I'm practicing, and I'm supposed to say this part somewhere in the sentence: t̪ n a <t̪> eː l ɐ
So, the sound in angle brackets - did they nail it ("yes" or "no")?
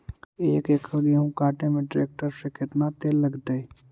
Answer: yes